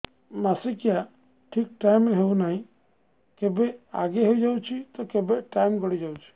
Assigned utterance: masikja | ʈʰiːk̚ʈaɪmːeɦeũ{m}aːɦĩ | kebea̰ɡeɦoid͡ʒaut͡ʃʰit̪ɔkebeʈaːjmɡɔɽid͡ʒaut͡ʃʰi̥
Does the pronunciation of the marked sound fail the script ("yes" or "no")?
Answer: yes